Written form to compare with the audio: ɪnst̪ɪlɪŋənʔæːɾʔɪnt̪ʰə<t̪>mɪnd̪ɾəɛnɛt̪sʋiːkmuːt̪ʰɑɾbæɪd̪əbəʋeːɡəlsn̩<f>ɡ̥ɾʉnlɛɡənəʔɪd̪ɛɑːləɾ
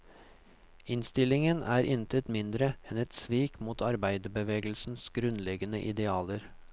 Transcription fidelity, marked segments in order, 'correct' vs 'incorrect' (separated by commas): correct, incorrect